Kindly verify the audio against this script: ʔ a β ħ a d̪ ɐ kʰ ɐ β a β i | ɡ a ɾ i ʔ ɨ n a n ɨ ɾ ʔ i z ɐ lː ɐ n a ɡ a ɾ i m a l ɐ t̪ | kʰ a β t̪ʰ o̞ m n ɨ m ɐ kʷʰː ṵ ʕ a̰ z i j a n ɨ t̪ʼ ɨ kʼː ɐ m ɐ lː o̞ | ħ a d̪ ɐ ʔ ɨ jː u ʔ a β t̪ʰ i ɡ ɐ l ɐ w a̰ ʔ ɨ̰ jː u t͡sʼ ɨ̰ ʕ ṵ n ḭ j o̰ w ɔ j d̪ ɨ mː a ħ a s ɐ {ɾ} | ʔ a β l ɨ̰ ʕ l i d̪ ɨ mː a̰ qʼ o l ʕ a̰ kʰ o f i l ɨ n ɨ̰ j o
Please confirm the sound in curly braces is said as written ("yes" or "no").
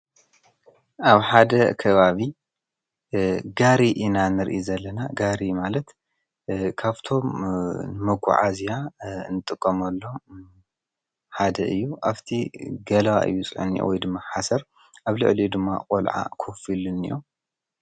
yes